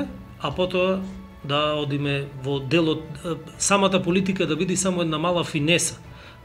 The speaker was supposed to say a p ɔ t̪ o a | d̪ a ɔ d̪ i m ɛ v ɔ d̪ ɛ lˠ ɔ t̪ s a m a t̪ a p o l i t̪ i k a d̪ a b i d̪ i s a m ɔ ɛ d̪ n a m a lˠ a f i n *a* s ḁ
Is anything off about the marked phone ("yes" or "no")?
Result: yes